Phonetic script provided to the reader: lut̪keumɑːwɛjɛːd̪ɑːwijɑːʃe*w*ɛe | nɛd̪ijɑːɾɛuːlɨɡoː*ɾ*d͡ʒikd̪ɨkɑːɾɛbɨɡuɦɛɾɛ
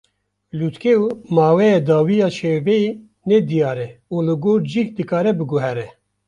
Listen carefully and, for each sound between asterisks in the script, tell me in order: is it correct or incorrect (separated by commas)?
incorrect, correct